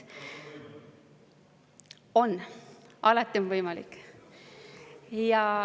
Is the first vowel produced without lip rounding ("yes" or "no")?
no